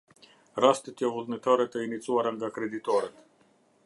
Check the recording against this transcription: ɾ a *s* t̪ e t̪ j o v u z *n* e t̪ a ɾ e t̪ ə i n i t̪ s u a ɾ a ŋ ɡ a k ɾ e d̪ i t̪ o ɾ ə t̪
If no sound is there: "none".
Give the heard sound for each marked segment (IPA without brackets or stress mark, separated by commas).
s, n